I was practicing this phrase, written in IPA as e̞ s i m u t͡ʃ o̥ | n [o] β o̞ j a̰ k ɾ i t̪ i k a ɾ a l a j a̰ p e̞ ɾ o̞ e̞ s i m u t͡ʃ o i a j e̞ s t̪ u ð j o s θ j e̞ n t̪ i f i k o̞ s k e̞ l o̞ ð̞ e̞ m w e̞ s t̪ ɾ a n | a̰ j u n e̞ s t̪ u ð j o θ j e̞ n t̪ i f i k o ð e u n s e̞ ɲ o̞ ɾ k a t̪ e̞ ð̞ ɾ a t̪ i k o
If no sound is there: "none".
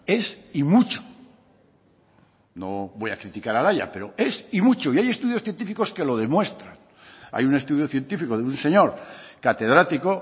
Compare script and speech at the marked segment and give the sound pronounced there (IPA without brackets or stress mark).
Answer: o